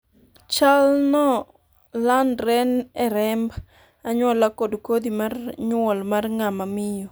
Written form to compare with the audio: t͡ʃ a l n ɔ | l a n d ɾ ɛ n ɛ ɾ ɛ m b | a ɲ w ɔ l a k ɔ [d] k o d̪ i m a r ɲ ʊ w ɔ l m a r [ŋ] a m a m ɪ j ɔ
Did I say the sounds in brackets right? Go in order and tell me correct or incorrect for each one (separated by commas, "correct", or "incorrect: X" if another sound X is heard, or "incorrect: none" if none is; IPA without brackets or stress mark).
correct, correct